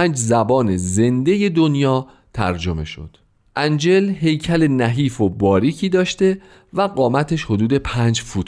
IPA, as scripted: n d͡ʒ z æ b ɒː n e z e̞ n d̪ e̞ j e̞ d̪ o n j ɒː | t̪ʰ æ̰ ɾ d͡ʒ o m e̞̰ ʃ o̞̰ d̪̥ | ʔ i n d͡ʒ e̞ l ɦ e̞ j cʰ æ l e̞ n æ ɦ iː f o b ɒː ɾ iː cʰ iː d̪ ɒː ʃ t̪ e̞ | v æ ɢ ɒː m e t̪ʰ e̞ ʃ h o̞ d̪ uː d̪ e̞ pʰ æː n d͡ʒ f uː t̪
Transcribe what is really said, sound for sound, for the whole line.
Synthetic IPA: n d͡ʒ z æ b ɒː n e z e̞ n d̪ e̞ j e̞ d̪ o n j ɒː | t̪ʰ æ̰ ɾ d͡ʒ o m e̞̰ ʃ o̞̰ d̪̥ | ʔ æ n d͡ʒ e̞ l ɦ e̞ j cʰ æ l e̞ n æ ɦ iː f o b ɒː ɾ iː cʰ iː d̪ ɒː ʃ t̪ e̞ | v æ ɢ ɒː m æ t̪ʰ e̞ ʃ h o̞ d̪ uː d̪ e̞ pʰ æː n d͡ʒ f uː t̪